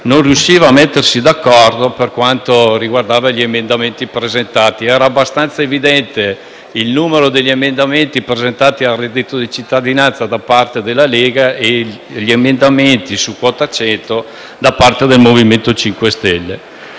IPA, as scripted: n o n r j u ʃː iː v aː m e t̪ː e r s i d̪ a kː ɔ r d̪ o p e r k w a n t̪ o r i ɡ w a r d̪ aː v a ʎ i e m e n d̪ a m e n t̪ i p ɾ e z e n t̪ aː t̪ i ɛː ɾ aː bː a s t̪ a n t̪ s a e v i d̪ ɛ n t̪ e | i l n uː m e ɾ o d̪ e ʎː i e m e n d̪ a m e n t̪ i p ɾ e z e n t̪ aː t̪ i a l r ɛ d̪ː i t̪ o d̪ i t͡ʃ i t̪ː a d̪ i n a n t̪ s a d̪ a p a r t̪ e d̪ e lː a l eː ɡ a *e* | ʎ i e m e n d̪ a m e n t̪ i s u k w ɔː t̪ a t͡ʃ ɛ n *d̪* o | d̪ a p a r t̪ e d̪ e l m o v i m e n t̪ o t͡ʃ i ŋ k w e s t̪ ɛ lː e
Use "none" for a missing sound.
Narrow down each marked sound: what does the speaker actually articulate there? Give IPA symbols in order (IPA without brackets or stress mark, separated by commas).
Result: e, t̪